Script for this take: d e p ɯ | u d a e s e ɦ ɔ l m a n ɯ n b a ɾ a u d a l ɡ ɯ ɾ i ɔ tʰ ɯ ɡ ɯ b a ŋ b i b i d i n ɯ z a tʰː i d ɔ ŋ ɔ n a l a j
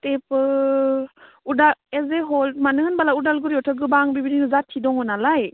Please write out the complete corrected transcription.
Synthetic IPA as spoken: t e p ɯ | u d a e z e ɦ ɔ l m a n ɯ n b a l a u d a l ɡ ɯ ɾ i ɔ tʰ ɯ ɡ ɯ b a ŋ b i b i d i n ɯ z a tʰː i d ɔ ŋ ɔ n a l a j